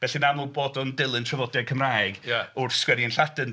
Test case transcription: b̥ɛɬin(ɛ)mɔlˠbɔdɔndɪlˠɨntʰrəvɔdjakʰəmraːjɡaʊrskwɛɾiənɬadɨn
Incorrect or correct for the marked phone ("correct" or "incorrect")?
incorrect